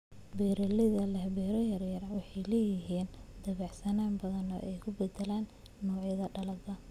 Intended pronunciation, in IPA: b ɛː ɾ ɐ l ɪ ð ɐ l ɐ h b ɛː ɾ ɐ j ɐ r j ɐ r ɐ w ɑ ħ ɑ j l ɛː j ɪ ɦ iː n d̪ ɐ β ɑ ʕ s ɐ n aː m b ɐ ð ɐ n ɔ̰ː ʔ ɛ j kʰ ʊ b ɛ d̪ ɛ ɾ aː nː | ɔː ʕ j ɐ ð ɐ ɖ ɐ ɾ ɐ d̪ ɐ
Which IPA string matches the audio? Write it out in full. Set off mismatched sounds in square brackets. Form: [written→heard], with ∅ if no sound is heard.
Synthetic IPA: b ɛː ɾ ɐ l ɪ ð ɐ l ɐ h b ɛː ɾ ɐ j ɐ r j ɐ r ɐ w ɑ ħ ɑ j l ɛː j ɪ ɦ iː n d̪ ɐ β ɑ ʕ s ɐ n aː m b ɐ ð ɐ n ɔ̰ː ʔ ɛ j kʰ ʊ b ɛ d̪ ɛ [ɾ→l] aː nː | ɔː ʕ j ɐ ð ɐ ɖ ɐ [ɾ→l] ɐ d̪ ɐ